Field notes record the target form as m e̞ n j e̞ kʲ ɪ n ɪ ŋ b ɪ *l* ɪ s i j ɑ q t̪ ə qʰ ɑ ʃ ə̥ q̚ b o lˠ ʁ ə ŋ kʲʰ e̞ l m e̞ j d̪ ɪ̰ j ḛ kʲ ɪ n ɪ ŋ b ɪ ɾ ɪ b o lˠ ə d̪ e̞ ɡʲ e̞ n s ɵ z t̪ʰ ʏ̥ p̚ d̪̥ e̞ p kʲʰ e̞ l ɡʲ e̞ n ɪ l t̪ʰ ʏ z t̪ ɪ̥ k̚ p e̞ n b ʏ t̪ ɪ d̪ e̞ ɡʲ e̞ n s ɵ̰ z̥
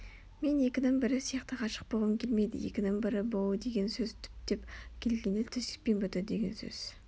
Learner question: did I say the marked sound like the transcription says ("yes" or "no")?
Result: no